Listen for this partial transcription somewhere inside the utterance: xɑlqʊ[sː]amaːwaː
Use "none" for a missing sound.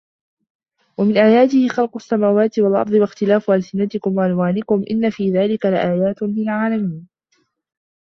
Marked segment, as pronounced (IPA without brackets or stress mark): sː